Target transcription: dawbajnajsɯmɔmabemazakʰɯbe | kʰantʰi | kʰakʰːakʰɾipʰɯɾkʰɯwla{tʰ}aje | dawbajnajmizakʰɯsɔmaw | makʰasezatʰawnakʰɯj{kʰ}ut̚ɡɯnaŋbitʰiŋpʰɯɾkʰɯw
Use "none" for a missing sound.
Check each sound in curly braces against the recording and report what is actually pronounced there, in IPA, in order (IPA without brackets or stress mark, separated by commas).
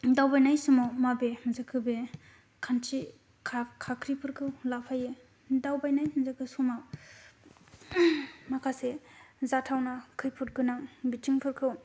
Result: pʰ, pʰ